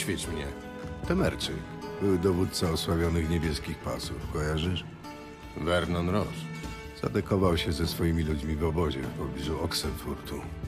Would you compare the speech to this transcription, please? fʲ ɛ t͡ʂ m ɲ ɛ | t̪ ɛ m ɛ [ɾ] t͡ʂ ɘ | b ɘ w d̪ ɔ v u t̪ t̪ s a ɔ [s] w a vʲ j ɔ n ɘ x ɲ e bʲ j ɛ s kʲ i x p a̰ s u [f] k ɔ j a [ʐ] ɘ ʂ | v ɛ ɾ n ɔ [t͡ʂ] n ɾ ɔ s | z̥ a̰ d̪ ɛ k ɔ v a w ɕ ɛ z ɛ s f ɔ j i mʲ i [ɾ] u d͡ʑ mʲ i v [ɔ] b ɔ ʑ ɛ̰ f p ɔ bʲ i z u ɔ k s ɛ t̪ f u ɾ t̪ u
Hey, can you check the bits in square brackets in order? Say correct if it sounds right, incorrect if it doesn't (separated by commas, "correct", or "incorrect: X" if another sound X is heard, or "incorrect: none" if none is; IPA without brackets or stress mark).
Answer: correct, correct, correct, correct, incorrect: none, incorrect: l, correct